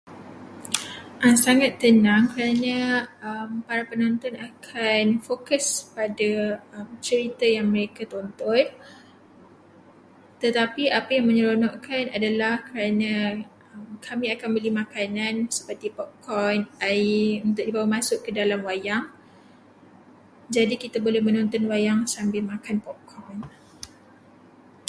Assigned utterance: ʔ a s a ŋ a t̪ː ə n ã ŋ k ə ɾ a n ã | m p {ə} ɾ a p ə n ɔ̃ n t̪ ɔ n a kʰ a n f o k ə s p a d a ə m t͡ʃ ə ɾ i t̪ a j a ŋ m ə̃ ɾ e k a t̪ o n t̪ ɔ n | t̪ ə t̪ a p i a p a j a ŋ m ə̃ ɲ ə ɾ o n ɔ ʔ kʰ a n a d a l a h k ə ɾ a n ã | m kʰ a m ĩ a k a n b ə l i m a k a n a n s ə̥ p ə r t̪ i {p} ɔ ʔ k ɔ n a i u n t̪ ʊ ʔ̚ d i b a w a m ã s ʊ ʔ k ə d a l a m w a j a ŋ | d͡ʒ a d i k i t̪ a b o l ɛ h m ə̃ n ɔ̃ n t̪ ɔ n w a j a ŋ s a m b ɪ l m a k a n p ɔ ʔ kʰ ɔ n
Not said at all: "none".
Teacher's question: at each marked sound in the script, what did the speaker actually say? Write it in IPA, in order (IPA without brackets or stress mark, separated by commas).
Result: a, p